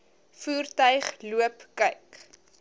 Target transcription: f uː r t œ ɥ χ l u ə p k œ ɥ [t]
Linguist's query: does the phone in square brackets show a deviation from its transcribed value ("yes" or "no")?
yes